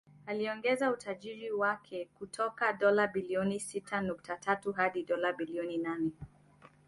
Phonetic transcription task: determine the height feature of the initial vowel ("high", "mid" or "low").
low